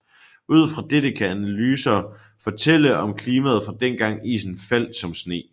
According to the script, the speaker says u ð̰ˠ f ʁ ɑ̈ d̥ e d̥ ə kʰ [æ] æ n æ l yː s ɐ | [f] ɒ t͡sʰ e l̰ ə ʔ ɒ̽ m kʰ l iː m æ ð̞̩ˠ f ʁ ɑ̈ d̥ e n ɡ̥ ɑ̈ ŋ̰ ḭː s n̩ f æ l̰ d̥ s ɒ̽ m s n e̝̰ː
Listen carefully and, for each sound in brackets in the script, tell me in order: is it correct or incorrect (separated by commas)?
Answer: correct, correct